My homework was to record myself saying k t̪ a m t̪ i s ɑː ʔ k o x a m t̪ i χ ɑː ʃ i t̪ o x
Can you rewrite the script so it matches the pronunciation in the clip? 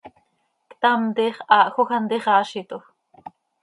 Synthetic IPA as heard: k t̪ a m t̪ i χ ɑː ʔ x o x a n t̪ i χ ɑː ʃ i t̪ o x

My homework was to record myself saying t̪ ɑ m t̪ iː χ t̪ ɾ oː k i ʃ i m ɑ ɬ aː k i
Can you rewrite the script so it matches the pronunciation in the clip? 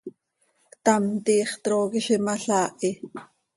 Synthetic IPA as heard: t̪ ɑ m t̪ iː χ t̪ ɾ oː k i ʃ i m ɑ ɬ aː ʔ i

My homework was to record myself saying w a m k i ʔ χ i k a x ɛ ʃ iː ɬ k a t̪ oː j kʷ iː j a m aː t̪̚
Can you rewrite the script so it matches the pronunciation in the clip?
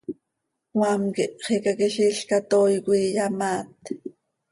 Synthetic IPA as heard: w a m k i ʔ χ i k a k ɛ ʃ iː ɬ k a t̪ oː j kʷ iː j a m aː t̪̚

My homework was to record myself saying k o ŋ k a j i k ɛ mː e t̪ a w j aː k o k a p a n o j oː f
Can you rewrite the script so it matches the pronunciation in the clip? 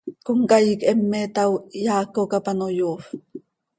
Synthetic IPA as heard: k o ŋ k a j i k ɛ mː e t̪ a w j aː k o k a p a n o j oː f

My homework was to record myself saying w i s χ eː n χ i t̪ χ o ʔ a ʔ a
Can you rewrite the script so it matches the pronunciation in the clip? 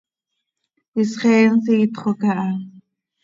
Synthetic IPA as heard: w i s χ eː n s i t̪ χ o k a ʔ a

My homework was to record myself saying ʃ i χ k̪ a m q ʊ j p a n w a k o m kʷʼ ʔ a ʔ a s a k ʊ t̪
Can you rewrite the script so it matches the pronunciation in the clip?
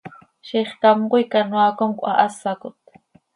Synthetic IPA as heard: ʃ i χ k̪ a m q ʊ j k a n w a k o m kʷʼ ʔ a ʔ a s a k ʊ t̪

